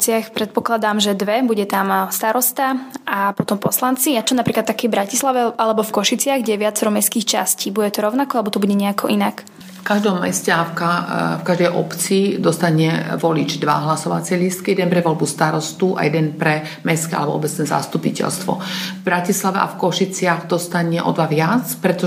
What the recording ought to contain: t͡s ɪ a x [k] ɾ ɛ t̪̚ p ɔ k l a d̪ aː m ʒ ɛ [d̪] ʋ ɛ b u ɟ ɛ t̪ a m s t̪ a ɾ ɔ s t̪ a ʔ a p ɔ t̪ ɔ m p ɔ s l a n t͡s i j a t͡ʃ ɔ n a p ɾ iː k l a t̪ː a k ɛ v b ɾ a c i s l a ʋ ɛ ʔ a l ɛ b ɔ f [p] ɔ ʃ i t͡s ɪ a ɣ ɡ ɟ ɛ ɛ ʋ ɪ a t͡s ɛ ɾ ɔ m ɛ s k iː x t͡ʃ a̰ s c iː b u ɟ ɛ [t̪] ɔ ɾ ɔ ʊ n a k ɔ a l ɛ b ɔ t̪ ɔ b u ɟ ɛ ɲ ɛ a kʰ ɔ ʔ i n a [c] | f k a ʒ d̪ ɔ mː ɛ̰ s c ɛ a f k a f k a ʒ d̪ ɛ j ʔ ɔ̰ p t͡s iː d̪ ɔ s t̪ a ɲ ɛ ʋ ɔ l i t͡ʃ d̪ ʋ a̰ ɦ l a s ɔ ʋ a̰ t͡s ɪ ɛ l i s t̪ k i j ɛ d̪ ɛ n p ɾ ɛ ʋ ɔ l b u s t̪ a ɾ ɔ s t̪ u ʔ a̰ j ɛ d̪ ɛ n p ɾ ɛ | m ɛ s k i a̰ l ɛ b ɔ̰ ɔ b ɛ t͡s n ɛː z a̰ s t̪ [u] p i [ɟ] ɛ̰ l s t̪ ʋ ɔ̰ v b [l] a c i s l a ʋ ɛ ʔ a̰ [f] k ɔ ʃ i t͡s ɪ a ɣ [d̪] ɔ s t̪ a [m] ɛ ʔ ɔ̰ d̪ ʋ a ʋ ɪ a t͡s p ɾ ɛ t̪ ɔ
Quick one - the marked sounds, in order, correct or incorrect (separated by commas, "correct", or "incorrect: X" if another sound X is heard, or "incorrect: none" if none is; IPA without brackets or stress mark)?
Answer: incorrect: p, correct, incorrect: k, correct, incorrect: k, correct, incorrect: c, incorrect: ɾ, correct, correct, incorrect: ɲ